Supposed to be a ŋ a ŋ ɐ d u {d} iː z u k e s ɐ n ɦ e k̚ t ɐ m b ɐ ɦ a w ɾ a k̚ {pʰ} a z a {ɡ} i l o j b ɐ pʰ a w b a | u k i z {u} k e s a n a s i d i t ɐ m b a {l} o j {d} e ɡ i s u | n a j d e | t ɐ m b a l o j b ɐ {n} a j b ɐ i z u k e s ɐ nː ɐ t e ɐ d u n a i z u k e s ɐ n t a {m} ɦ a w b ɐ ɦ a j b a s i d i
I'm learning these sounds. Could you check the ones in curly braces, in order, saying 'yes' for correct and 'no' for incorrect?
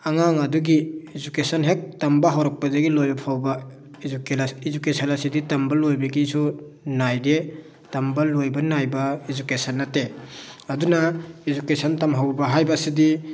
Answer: no, no, yes, yes, yes, no, yes, yes

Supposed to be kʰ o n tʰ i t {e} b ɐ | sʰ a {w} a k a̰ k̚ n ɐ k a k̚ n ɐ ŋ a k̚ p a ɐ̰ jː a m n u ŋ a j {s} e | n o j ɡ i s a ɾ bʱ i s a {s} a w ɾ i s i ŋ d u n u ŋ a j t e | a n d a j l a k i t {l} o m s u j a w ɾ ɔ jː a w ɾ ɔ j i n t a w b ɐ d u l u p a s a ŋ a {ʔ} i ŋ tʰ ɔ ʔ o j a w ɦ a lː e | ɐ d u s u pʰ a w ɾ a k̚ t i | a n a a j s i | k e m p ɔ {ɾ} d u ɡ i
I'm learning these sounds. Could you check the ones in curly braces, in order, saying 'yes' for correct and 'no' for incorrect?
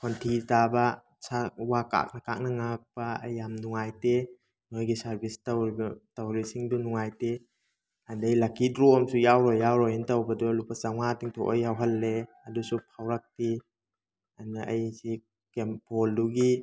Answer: no, yes, no, no, no, no, no

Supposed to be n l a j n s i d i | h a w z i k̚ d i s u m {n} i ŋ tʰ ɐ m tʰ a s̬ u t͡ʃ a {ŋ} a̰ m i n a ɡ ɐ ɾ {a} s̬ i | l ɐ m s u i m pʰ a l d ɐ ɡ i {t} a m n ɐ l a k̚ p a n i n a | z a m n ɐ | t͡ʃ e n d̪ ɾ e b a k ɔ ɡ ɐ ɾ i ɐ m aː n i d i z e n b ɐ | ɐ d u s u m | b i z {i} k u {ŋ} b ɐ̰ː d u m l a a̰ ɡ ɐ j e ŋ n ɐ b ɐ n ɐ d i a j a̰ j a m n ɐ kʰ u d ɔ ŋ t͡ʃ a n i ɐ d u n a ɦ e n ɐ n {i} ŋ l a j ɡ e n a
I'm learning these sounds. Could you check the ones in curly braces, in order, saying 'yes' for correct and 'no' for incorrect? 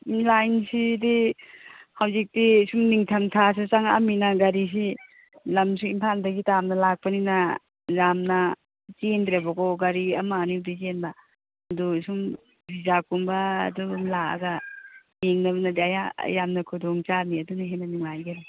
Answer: yes, yes, no, yes, no, no, yes

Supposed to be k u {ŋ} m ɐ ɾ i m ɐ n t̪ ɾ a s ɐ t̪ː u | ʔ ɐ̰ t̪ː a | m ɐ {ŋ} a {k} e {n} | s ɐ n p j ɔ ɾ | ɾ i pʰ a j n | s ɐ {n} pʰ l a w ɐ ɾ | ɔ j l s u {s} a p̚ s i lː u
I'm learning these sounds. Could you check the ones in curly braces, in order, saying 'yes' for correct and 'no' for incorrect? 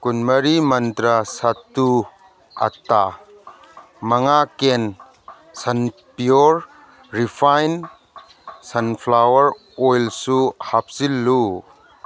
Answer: no, yes, yes, yes, yes, no

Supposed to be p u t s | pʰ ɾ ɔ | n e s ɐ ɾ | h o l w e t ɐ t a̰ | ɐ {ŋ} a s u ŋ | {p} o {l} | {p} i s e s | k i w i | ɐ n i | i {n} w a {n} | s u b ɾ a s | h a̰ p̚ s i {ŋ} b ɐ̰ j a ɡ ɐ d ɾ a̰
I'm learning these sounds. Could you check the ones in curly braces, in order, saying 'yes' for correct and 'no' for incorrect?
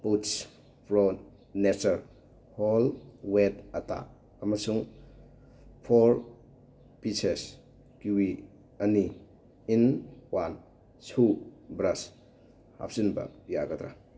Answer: no, no, no, yes, yes, yes, no

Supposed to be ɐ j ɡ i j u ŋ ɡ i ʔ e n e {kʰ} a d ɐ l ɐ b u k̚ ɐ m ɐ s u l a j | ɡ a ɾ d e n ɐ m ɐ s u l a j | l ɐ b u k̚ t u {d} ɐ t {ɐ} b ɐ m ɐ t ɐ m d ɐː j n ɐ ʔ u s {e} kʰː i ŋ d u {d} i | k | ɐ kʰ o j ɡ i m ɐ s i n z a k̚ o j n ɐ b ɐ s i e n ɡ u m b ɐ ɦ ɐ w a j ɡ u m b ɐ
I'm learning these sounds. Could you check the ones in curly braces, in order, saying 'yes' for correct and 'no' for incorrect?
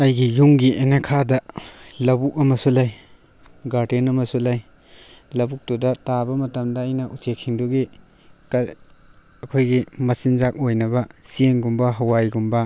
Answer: yes, yes, no, yes, no

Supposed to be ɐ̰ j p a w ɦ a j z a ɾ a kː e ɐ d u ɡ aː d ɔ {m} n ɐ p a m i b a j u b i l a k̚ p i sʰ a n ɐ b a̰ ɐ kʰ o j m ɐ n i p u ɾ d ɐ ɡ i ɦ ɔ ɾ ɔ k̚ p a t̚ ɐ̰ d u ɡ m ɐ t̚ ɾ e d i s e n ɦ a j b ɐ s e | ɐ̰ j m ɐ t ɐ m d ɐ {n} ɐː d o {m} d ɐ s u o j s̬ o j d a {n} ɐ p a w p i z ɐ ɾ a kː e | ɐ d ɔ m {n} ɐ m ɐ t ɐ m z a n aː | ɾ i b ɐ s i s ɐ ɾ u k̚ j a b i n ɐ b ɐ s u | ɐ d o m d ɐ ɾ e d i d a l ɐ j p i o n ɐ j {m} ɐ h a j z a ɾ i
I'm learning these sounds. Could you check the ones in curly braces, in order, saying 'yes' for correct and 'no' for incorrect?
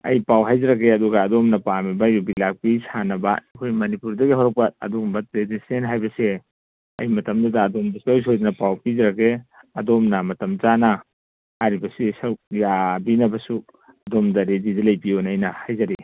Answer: yes, no, yes, yes, yes, no

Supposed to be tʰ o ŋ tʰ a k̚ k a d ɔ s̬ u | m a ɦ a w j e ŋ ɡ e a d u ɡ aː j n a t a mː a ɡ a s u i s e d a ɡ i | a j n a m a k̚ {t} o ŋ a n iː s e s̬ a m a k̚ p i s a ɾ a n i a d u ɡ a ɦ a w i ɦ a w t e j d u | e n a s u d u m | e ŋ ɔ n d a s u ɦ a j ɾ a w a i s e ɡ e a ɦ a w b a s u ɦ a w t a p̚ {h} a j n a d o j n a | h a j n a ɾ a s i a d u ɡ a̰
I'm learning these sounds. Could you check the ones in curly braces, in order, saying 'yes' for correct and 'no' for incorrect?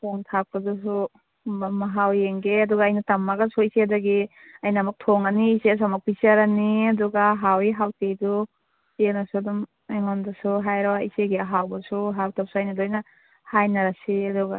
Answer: no, no

